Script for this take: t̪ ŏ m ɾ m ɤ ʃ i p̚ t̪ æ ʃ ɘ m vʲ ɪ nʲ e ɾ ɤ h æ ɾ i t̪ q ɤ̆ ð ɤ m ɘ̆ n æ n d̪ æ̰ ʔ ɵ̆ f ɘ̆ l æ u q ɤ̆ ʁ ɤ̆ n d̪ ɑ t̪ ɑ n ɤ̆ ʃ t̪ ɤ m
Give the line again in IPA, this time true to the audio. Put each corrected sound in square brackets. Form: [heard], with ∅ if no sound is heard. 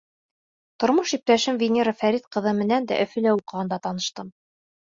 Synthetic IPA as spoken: t̪ ŏ [∅] ɾ m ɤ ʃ i p̚ t̪ æ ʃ ɘ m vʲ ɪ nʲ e ɾ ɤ [f] æ ɾ i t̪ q ɤ̆ ð ɤ m ɘ̆ n æ n d̪ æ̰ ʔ ɵ̆ f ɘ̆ l æ u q ɤ̆ ʁ ɤ̆ n d̪ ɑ t̪ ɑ n ɤ̆ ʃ t̪ ɤ m